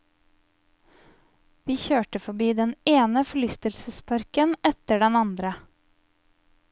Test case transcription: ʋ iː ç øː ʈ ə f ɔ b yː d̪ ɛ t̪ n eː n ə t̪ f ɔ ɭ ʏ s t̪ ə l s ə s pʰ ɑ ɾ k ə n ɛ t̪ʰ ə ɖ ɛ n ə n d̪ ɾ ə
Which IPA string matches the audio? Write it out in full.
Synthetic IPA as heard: ʋ iː ç øː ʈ ə f ɔ b iː d̪ ɛ n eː n ə f ɔ ɭ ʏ s t̪ ə l s ə s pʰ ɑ ɾ k ə n ɛ t̪ ə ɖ ɛ n ɑ n d̪ ɾ ə